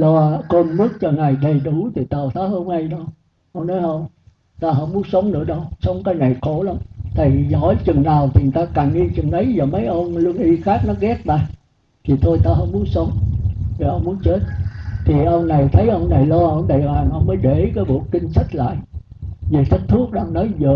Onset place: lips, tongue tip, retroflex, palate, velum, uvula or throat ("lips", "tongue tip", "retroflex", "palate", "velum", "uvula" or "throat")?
tongue tip